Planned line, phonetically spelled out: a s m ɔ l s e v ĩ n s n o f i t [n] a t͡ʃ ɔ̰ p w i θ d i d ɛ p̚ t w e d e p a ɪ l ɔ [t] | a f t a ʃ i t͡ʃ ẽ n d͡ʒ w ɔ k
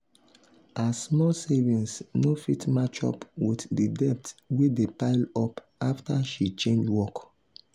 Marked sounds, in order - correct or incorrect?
incorrect: m, incorrect: p

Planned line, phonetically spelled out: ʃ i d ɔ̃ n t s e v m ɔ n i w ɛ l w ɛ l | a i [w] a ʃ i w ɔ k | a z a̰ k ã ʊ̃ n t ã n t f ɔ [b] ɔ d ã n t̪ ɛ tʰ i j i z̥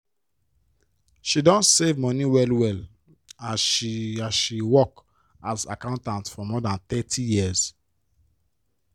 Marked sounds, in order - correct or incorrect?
incorrect: none, incorrect: m

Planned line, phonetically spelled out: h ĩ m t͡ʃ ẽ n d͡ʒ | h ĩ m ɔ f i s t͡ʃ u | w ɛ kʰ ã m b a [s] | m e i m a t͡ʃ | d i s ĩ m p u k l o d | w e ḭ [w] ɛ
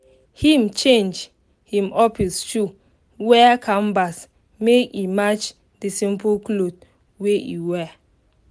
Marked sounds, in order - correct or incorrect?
correct, correct

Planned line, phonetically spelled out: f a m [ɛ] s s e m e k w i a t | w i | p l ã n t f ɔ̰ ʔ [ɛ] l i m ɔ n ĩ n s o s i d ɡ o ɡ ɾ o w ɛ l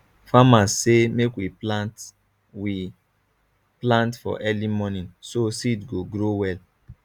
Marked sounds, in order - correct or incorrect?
incorrect: a, correct

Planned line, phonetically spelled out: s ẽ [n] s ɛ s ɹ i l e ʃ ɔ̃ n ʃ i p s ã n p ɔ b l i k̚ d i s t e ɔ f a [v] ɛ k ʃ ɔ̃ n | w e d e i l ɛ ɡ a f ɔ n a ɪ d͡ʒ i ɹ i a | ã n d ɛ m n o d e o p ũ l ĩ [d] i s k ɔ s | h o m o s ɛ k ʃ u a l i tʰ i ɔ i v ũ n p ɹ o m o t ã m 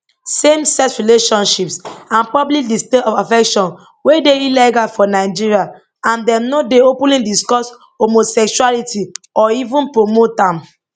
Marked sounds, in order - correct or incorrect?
incorrect: m, incorrect: f, correct

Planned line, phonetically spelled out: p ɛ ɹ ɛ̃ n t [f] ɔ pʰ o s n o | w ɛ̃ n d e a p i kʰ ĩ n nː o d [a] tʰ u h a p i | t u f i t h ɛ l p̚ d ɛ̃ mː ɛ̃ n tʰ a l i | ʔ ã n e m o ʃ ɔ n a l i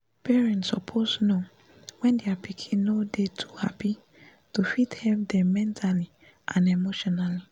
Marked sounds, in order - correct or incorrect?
incorrect: s, incorrect: e

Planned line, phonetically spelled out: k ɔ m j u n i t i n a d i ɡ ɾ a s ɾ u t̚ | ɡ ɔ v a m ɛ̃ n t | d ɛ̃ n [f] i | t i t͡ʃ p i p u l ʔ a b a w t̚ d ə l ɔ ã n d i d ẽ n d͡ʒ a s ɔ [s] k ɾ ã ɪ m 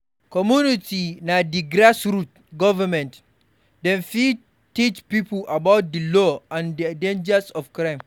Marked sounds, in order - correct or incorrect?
correct, incorrect: f

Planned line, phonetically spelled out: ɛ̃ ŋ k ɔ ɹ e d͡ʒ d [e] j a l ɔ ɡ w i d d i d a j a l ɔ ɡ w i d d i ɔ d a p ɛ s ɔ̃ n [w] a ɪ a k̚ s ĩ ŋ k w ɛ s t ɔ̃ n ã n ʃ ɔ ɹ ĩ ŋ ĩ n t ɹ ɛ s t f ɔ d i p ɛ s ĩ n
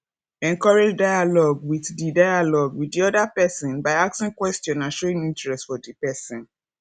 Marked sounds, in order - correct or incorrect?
incorrect: a, incorrect: b

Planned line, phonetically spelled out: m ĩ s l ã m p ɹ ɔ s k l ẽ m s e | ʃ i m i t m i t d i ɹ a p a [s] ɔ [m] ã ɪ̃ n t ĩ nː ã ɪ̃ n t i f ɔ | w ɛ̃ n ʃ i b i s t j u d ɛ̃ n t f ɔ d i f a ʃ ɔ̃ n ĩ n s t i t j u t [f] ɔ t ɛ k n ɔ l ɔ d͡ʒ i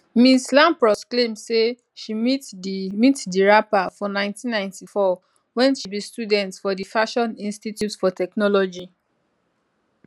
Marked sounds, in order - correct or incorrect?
incorrect: f, incorrect: n, correct

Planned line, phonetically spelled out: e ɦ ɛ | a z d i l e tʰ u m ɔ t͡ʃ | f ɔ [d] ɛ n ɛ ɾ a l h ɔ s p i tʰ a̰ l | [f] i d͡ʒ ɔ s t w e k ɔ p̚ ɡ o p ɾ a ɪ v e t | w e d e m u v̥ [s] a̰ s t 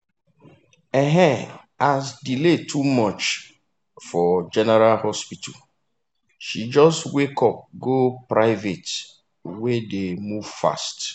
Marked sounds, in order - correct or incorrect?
incorrect: d͡ʒ, incorrect: ʃ, incorrect: f

